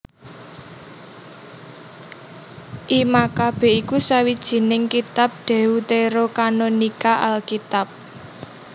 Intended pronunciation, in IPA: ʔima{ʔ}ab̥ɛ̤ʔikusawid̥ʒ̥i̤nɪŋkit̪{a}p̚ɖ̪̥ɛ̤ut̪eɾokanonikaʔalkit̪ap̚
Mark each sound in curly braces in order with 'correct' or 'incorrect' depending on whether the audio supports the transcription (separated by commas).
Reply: incorrect, correct